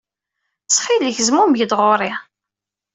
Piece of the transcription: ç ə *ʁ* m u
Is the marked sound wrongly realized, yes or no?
yes